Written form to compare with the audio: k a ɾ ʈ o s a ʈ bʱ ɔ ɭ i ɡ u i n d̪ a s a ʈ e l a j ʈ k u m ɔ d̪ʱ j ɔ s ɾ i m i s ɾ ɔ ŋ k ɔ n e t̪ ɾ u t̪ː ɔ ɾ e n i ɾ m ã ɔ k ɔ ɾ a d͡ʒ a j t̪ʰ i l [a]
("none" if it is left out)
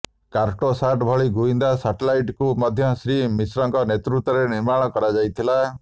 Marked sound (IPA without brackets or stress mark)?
a